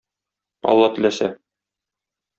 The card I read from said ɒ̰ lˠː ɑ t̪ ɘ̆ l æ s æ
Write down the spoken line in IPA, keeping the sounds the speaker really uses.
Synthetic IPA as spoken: ɒ̰ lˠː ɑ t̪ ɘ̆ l æ s æ